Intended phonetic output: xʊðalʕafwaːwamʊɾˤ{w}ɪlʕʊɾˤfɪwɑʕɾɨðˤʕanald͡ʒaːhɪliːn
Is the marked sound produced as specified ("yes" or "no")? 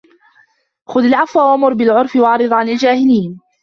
no